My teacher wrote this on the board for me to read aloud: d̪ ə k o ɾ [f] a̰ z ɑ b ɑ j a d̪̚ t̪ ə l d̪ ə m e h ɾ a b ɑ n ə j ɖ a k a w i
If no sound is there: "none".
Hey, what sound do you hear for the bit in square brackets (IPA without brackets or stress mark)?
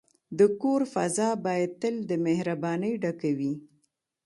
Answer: f